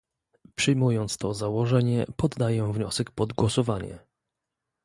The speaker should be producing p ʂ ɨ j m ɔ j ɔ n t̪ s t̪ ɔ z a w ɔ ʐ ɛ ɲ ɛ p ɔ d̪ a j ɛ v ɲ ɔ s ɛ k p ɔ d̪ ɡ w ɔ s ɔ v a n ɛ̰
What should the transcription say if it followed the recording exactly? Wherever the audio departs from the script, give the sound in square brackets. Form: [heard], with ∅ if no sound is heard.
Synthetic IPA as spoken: p ʂ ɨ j m [u] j ɔ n t̪ s t̪ ɔ z a w ɔ ʐ ɛ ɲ ɛ p ɔ [d̪ː] a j ɛ v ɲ ɔ s ɛ k p ɔ d̪ ɡ w ɔ s ɔ v a [ɲ] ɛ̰